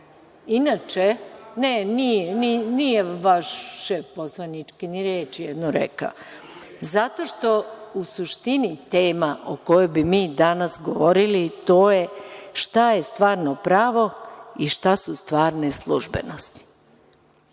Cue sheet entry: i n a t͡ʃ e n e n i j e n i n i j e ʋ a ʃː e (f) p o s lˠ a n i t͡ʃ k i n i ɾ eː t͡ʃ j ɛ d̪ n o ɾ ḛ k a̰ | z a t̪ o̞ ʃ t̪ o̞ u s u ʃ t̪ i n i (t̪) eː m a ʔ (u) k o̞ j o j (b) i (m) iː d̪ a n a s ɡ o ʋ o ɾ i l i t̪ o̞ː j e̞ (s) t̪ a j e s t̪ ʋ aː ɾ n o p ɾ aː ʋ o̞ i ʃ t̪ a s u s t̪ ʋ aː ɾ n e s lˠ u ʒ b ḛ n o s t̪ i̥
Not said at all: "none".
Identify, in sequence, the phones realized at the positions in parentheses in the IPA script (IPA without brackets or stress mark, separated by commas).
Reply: f, t̪, o, b, m, ʃ